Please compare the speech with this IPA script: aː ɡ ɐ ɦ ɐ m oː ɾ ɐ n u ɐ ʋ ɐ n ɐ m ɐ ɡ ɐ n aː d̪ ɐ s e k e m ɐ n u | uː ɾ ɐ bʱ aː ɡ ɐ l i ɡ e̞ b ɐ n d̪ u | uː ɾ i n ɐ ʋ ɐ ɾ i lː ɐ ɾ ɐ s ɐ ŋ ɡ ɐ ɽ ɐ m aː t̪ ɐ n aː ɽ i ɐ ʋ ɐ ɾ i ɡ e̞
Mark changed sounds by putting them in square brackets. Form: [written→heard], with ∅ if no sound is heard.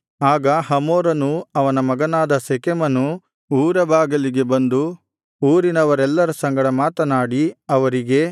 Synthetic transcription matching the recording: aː ɡ ɐ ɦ ɐ m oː ɾ ɐ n u ɐ ʋ ɐ n ɐ m ɐ ɡ ɐ n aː d̪ ɐ s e k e m ɐ n u | uː ɾ ɐ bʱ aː ɡ ɐ l i ɡ e̞ b ɐ n d̪ u | uː ɾ i n ɐ ʋ ɐ ɾ [i→ɛ] lː ɐ ɾ ɐ s ɐ ŋ ɡ ɐ ɽ ɐ m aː t̪ ɐ n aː ɽ i ɐ ʋ ɐ ɾ i ɡ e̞

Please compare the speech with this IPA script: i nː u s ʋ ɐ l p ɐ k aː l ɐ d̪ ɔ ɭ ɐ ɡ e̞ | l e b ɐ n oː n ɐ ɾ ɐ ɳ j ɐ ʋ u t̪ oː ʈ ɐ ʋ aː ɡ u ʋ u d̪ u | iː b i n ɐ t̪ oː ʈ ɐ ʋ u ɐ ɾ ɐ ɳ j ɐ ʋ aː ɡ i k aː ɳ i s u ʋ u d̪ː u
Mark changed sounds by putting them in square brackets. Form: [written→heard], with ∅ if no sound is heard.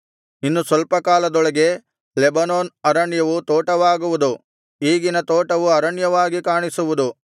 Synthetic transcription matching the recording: i nː u s ʋ ɐ l p ɐ k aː l ɐ d̪ ɔ ɭ ɐ ɡ e̞ | l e b ɐ n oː n ɐ ɾ ɐ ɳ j ɐ ʋ u t̪ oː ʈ ɐ ʋ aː ɡ u ʋ u d̪ u | iː [b→ɡ] i n ɐ t̪ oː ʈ ɐ ʋ u ɐ ɾ ɐ ɳ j ɐ ʋ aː ɡ i k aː ɳ i s u ʋ u [d̪ː→d̪] u

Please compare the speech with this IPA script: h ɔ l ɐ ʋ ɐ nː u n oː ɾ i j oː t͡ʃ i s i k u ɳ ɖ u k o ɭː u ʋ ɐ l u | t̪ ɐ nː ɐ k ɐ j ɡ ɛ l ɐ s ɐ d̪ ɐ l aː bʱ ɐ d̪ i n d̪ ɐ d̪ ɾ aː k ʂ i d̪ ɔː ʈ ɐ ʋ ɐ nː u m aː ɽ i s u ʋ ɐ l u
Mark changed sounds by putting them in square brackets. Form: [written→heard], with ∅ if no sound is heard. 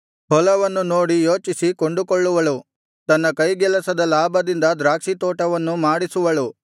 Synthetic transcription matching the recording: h ɔ l ɐ ʋ ɐ nː u n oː [ɾ→ɽ] i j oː t͡ʃ i s i k [u→o] ɳ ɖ u k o ɭː u ʋ ɐ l u | t̪ ɐ nː ɐ k ɐ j ɡ ɛ l ɐ s ɐ d̪ ɐ l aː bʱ ɐ d̪ i n d̪ ɐ d̪ ɾ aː k ʂ i [d̪→t̪] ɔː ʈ ɐ ʋ ɐ nː u m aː ɽ i s u ʋ ɐ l u

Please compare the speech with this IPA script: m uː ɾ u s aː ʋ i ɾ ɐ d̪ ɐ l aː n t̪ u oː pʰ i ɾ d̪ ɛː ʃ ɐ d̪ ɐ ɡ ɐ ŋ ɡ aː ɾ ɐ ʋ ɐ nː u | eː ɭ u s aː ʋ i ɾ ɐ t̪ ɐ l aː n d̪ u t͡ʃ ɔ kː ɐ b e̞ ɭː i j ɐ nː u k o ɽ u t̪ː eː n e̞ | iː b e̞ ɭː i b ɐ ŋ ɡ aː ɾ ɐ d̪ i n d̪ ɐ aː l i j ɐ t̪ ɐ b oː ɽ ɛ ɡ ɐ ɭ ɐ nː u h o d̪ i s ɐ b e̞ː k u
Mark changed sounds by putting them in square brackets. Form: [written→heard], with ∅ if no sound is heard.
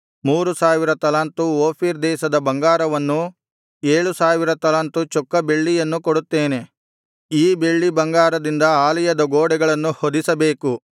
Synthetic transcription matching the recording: m uː ɾ u s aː ʋ i ɾ ɐ [d̪→t̪] ɐ l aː n t̪ u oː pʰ i ɾ d̪ ɛː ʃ ɐ d̪ ɐ [ɡ→b] ɐ ŋ ɡ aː ɾ ɐ ʋ ɐ nː u | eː ɭ u s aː ʋ i ɾ ɐ t̪ ɐ l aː n [d̪→t̪] u t͡ʃ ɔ kː ɐ b e̞ ɭː i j ɐ nː u k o ɽ u t̪ː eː n e̞ | iː b e̞ ɭː i b ɐ ŋ ɡ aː ɾ ɐ d̪ i n d̪ ɐ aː l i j ɐ [t̪→d̪] ɐ [b→ɡ] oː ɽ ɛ ɡ ɐ ɭ ɐ nː u h o d̪ i s ɐ b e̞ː k u

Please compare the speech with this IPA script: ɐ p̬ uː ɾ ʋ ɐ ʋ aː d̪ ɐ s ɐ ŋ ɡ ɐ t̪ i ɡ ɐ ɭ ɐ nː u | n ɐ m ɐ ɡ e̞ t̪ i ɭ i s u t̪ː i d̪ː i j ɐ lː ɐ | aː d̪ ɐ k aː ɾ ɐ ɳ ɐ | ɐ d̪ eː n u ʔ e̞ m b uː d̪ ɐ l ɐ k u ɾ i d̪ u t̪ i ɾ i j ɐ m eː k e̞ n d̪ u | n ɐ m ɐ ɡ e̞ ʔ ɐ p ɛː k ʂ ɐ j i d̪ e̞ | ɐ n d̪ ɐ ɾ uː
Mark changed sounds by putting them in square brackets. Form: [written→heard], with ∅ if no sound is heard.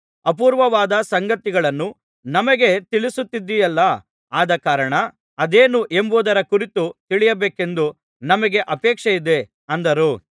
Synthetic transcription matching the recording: ɐ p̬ uː ɾ ʋ ɐ ʋ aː d̪ ɐ s ɐ ŋ ɡ ɐ t̪ i ɡ ɐ ɭ ɐ nː u | n ɐ m ɐ ɡ e̞ t̪ i ɭ i s u t̪ː i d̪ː i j ɐ lː ɐ | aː d̪ ɐ k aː ɾ ɐ ɳ ɐ | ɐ d̪ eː n u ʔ e̞ m b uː d̪ ɐ [l→ɾ] ɐ k u ɾ i [d̪→t̪] u t̪ i [ɾ→ɭ] i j ɐ [m→b] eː k e̞ n d̪ u | n ɐ m ɐ ɡ e̞ ʔ ɐ p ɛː k ʂ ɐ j i d̪ e̞ | ɐ n d̪ ɐ ɾ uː

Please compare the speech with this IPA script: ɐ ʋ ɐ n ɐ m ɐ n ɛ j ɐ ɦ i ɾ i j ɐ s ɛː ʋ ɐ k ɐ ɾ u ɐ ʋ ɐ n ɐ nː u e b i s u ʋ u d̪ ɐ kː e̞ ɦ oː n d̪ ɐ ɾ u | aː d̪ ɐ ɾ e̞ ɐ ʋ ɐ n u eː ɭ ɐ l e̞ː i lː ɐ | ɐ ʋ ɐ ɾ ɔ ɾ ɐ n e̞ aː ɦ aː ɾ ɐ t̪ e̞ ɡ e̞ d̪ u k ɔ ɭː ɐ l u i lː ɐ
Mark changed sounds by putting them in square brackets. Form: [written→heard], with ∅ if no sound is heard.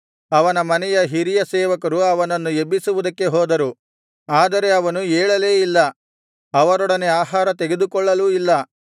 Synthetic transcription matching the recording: ɐ ʋ ɐ n ɐ m ɐ n ɛ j ɐ ɦ i ɾ i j ɐ s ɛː ʋ ɐ k ɐ ɾ u ɐ ʋ ɐ n ɐ nː u e b i s u ʋ u d̪ ɐ kː e̞ ɦ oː [n→∅] d̪ ɐ ɾ u | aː d̪ ɐ ɾ e̞ ɐ ʋ ɐ n u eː ɭ ɐ l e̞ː i lː ɐ | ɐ ʋ ɐ ɾ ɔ [ɾ→ɽ] ɐ n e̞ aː ɦ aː ɾ ɐ t̪ e̞ ɡ e̞ d̪ u k ɔ ɭː ɐ l u i lː ɐ

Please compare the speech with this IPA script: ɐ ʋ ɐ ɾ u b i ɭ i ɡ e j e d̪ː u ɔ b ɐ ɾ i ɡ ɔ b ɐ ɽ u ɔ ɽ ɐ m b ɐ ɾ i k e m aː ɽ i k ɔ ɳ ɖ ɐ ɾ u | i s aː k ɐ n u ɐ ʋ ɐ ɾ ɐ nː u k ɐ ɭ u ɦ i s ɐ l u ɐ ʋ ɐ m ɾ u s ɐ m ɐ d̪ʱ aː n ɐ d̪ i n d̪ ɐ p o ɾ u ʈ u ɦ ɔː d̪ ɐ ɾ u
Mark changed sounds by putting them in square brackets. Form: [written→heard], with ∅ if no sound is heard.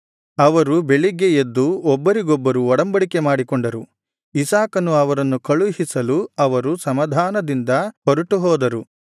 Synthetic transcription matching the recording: ɐ ʋ ɐ ɾ u b [i→e] ɭ i ɡ e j e d̪ː u ɔ [b→bː] ɐ ɾ i ɡ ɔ [b→bː] ɐ [ɽ→ɾ] u ɔ ɽ ɐ m b ɐ [ɾ→ɽ] i k e m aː ɽ i k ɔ ɳ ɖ ɐ ɾ u | i s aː k ɐ n u ɐ ʋ ɐ ɾ ɐ nː u k ɐ ɭ u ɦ i s ɐ l u ɐ ʋ ɐ [m→∅] ɾ u s ɐ m ɐ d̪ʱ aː n ɐ d̪ i n d̪ ɐ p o ɾ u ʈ u ɦ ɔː d̪ ɐ ɾ u

